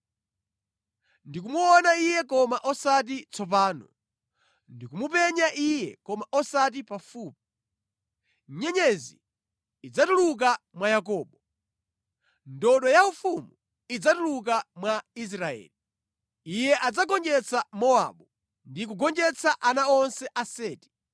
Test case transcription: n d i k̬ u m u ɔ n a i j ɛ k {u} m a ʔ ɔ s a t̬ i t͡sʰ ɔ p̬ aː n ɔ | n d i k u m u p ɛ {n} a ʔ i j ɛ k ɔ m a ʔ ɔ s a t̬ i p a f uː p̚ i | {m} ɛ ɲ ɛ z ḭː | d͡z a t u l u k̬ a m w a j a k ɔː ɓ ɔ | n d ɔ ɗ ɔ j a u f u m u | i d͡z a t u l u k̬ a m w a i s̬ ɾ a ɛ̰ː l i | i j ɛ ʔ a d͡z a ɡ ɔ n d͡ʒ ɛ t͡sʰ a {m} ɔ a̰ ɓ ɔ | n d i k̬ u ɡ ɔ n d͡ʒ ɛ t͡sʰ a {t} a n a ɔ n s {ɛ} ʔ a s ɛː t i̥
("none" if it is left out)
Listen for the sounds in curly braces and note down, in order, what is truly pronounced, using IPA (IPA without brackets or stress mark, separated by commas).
ɔ, ɲ, ɲ, m, ʔ, ɛ